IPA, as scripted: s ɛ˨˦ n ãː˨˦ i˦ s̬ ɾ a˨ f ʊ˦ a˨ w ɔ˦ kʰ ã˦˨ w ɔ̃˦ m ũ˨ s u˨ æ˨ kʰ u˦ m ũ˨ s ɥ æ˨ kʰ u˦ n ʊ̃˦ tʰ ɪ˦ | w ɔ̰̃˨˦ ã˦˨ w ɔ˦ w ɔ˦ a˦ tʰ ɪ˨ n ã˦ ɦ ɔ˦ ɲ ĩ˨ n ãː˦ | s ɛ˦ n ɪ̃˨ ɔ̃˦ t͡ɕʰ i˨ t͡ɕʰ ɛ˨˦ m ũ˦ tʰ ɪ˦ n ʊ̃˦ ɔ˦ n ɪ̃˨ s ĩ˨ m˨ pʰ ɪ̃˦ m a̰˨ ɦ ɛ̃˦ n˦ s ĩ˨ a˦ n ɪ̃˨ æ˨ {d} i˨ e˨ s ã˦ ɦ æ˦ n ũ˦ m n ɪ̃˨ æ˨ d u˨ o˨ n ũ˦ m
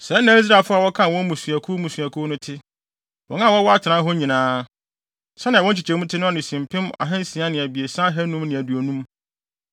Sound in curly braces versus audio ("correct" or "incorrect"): incorrect